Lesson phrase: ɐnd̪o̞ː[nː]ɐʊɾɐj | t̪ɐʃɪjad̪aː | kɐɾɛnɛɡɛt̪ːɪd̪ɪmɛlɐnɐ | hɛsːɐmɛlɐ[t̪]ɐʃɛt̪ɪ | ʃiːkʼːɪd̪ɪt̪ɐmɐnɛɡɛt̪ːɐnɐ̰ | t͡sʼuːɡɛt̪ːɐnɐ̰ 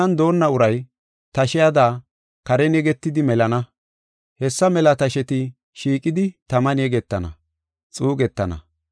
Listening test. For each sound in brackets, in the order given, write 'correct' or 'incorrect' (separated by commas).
correct, correct